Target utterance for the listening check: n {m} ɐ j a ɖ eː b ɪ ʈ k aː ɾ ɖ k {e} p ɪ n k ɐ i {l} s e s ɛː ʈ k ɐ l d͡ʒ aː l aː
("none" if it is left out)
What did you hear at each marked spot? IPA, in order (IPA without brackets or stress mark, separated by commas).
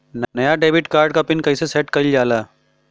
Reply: n, a, none